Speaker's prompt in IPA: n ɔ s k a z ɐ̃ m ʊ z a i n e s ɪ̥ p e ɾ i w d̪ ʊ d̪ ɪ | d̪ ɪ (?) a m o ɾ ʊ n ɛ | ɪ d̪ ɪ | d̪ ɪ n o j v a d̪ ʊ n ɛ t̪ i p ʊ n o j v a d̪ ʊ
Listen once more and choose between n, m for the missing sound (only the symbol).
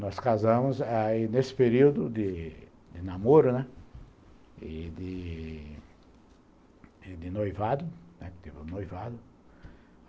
n